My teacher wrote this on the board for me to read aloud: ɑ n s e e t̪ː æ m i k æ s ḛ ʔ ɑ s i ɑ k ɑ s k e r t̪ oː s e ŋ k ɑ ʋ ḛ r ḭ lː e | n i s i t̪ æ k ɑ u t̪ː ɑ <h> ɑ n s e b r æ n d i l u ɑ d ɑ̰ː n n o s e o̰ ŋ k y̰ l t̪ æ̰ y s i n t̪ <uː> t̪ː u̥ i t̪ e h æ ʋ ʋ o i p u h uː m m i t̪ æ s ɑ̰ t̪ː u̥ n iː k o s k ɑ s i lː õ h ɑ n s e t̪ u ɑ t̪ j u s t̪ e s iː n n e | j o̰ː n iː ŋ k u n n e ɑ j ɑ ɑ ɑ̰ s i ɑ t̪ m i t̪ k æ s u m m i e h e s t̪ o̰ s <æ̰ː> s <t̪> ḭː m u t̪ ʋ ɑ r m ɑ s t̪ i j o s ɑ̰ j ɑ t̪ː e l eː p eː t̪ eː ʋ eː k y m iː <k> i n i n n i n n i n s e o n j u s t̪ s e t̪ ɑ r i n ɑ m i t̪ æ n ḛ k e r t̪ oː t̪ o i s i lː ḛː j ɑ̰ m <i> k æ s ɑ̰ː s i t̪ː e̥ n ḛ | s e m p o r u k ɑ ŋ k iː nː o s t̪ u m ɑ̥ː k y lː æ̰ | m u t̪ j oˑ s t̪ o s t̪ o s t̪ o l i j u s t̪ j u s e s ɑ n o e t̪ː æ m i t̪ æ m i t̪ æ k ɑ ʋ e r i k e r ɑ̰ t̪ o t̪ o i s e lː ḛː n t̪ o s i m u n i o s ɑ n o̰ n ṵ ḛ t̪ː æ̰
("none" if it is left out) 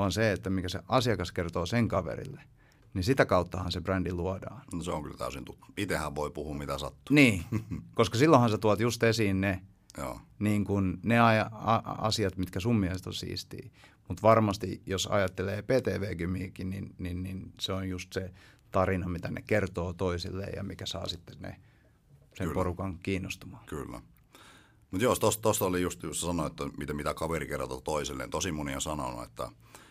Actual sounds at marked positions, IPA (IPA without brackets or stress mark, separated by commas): h, u, ḭː, t̪, k, i